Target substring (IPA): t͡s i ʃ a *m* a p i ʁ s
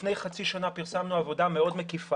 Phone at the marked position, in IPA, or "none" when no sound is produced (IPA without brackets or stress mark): n